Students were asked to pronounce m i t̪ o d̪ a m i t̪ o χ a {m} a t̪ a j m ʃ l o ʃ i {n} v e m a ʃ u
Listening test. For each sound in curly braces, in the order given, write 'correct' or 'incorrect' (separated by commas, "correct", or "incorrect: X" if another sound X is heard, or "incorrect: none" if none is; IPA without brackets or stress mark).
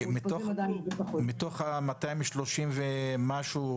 correct, incorrect: m